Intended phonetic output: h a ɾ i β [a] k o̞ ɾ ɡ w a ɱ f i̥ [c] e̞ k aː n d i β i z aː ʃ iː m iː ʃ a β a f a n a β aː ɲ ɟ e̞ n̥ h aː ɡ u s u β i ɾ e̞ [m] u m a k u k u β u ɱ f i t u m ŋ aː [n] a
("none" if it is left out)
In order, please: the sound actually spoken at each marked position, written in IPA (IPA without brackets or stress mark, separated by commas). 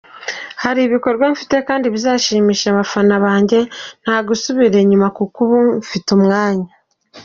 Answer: i, t, ɲ, ɲ